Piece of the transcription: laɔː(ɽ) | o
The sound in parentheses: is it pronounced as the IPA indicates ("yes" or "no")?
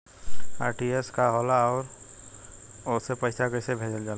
no